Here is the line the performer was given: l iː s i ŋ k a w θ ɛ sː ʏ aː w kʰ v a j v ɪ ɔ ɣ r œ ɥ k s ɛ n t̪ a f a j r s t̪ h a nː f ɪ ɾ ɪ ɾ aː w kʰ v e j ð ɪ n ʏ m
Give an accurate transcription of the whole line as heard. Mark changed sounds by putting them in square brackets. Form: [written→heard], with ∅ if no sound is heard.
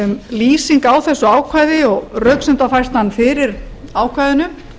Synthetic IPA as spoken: l iː s i ŋ k a w θ ɛ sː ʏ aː w kʰ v a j [v→ð] ɪ ɔ ɣ r œ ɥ k s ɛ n t̪ a f a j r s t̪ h a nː f ɪ ɾ ɪ ɾ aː w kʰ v [e→a] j ð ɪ n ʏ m